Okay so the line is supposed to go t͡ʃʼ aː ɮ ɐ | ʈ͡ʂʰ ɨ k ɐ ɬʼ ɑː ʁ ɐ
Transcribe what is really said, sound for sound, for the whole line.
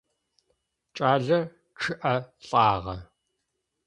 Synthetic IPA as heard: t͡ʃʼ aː ɮ ɐ | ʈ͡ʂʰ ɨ ʔ ɐ ɬʼ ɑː ʁ ɐ